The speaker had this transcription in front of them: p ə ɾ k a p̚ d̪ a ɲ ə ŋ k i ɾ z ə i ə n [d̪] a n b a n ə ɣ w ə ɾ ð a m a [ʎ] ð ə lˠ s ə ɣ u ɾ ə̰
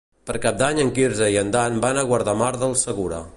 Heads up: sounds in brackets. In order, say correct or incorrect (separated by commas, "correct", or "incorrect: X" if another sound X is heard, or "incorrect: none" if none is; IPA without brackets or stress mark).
correct, incorrect: ɾ